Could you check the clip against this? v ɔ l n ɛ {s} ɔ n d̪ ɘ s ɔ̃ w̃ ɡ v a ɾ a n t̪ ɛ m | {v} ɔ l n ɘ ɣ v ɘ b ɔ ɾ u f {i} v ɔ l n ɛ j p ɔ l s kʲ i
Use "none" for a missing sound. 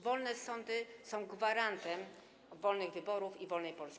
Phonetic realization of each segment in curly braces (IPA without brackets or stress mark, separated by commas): s, v, i